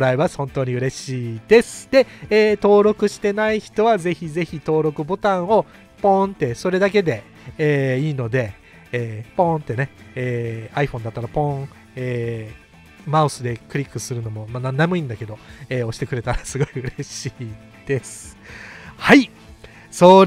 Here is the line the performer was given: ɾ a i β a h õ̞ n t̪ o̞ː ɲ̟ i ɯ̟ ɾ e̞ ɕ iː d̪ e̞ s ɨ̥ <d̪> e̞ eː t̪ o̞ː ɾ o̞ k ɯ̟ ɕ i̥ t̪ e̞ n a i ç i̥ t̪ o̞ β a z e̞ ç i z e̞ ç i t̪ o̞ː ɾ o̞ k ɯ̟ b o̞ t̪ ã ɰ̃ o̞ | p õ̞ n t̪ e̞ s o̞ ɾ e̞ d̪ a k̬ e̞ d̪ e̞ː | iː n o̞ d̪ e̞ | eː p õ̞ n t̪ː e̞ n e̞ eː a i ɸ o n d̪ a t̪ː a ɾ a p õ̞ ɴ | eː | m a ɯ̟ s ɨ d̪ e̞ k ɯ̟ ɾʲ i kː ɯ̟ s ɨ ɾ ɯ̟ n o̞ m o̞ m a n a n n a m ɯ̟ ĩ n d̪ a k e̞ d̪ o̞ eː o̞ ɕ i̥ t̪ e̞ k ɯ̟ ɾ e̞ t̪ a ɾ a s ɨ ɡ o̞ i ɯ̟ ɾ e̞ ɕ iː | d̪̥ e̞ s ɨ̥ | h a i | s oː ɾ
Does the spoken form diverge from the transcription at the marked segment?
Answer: no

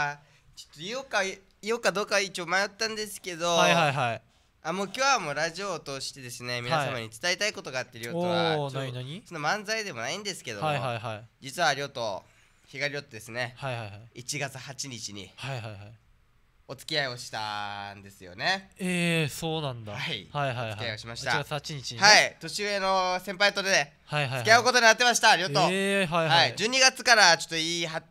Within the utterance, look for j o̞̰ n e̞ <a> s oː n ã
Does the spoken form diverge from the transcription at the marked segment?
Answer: yes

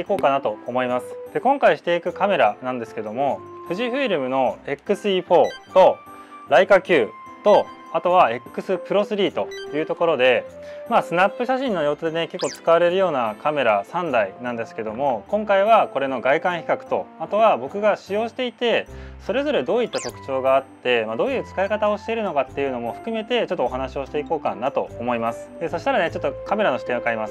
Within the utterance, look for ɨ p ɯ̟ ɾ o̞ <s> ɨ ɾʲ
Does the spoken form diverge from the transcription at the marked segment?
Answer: no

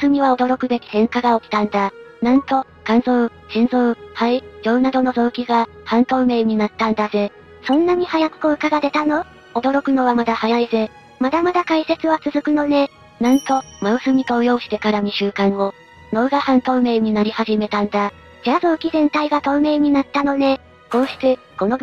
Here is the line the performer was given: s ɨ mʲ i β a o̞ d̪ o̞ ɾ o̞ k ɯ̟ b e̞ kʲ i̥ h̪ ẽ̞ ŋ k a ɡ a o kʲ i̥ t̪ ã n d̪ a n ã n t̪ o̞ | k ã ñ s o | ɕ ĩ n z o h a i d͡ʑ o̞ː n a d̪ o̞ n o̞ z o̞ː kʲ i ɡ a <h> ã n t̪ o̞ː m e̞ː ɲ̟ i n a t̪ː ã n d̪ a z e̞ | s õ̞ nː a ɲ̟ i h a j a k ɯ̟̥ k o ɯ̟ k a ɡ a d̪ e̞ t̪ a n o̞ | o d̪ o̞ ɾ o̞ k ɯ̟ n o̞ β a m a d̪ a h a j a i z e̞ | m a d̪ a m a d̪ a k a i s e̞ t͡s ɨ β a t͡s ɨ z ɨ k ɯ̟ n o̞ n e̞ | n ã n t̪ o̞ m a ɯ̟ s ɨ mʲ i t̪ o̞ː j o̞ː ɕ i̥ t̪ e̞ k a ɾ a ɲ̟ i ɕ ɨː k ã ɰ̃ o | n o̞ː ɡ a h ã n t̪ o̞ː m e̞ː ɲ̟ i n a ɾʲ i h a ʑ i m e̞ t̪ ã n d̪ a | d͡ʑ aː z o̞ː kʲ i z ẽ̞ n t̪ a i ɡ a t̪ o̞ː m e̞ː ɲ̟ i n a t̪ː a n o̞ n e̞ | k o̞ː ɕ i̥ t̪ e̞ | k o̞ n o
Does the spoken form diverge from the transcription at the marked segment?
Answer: no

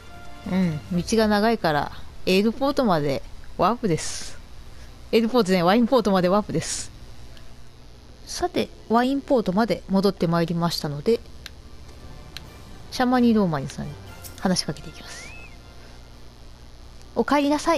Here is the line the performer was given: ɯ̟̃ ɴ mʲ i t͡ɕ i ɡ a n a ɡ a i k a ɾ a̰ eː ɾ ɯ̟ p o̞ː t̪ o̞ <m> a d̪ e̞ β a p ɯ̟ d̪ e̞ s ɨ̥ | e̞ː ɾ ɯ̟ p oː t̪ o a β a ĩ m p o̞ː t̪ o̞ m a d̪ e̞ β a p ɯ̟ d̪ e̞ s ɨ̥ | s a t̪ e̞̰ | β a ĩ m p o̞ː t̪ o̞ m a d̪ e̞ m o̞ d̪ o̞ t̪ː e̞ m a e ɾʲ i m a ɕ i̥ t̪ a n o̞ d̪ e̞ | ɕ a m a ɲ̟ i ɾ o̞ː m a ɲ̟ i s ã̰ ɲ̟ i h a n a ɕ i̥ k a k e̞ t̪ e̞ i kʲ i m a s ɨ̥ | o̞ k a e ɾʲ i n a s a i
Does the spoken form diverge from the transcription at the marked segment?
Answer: no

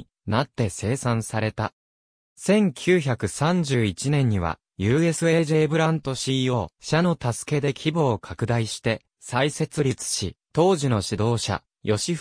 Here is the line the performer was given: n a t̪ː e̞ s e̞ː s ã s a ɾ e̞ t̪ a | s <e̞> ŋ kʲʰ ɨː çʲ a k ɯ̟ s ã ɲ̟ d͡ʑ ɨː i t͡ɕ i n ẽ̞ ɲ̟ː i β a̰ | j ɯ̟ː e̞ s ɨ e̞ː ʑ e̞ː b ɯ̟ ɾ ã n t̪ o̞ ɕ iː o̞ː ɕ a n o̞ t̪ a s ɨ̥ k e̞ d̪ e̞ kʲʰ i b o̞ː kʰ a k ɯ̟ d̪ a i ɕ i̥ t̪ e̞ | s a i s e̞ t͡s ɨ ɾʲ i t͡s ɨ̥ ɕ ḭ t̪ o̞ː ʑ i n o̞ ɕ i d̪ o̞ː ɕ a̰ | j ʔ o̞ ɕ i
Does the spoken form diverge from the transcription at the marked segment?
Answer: yes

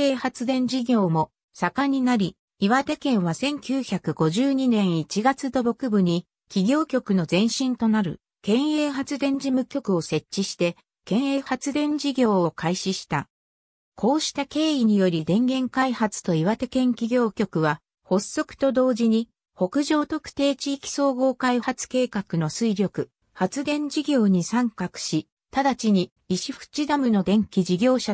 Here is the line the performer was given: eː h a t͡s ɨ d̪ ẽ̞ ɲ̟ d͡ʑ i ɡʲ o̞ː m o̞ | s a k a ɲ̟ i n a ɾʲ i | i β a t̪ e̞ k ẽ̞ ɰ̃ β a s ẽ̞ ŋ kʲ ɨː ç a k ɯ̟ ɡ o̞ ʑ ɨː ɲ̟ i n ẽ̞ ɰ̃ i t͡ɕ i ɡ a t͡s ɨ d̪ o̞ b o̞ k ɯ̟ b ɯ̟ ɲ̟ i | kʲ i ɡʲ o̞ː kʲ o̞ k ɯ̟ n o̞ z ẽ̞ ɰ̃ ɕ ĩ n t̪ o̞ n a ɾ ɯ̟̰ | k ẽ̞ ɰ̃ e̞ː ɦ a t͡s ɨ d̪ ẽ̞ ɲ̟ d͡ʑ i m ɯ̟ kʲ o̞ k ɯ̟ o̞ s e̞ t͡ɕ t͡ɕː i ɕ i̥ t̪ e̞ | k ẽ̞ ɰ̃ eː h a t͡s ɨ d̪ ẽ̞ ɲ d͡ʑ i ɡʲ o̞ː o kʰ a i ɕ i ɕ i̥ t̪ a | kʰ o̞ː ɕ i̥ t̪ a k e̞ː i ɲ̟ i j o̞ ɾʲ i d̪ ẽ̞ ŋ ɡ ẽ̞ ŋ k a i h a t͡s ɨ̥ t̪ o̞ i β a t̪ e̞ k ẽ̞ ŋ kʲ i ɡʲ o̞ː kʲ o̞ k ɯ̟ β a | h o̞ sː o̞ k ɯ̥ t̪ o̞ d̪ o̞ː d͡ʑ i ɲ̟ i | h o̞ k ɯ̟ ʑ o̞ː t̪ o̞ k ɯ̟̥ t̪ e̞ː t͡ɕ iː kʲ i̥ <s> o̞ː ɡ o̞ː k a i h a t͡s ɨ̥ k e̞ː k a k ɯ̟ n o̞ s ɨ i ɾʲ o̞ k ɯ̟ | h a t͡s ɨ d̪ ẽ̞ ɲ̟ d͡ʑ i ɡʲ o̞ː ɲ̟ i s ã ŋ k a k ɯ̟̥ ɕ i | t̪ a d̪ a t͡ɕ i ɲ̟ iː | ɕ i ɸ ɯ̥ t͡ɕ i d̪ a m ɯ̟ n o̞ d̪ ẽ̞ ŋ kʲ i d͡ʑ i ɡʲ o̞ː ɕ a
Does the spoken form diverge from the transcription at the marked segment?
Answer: no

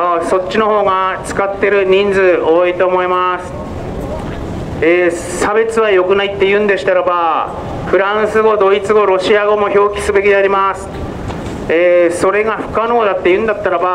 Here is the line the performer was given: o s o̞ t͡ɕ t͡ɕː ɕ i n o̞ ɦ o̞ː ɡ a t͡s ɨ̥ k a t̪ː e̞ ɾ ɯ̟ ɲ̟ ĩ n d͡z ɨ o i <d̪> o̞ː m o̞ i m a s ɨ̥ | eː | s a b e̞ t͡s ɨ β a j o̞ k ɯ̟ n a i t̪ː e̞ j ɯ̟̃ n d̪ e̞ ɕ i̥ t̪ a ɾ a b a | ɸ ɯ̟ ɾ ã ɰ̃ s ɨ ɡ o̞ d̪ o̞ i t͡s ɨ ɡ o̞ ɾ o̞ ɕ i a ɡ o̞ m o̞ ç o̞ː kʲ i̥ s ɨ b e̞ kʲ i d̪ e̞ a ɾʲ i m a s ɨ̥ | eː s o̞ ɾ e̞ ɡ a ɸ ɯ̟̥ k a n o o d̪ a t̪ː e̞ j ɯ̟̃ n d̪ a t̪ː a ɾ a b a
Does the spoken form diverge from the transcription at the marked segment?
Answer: yes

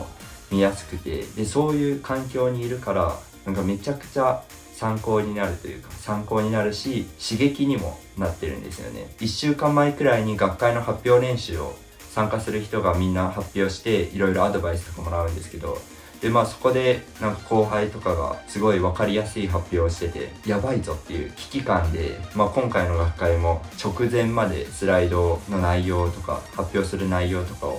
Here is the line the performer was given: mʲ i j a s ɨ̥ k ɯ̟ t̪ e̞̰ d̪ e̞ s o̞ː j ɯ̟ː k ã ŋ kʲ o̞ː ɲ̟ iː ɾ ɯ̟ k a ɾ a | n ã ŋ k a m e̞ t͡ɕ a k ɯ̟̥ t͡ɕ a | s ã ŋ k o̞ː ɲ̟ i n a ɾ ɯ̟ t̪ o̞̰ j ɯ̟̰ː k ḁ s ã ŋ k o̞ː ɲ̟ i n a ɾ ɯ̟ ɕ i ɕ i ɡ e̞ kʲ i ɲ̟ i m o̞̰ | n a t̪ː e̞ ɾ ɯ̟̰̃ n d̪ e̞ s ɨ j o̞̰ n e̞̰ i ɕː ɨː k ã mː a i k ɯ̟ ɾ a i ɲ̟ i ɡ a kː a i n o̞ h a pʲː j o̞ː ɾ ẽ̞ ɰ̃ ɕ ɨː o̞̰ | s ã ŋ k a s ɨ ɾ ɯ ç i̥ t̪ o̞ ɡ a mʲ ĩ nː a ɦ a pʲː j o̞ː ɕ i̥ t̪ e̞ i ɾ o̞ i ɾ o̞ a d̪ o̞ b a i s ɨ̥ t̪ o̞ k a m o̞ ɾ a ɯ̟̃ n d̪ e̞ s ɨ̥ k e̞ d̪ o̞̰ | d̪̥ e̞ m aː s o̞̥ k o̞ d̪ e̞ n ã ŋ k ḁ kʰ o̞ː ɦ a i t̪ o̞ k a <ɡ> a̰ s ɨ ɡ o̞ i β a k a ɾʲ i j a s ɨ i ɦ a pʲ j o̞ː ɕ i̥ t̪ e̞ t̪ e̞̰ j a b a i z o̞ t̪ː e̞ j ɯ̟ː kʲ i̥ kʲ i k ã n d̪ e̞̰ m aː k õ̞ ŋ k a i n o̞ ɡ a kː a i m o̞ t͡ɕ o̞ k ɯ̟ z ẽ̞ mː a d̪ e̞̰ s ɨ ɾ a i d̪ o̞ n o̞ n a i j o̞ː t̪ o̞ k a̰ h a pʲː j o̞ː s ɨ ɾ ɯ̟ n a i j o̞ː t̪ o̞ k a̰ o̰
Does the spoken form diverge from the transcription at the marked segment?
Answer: no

